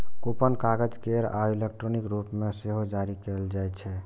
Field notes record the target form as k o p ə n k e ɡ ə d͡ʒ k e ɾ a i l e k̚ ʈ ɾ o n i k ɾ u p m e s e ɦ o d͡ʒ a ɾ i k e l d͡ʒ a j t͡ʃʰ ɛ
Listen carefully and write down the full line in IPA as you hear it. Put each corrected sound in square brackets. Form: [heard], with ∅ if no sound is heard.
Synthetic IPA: k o p ə n k [a] ɡ ə d͡ʒ k e ɾ a i l e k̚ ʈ ɾ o n i k ɾ u p m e s e ɦ o d͡ʒ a ɾ i k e l d͡ʒ a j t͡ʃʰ ɛ